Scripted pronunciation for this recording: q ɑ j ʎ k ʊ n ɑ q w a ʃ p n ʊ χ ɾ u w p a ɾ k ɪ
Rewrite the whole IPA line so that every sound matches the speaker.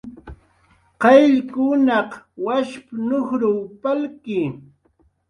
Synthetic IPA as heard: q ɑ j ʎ k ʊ n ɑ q w a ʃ p n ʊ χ ɾ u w p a l k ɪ